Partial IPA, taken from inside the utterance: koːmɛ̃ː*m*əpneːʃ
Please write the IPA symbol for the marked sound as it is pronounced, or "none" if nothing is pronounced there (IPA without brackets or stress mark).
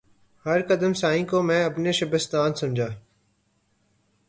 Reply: none